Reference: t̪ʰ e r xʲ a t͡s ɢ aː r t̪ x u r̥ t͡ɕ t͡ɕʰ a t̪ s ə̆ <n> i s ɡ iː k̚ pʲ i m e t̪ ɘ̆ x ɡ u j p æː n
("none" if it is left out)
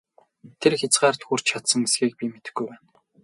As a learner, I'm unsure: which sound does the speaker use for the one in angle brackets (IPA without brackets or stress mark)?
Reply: ŋ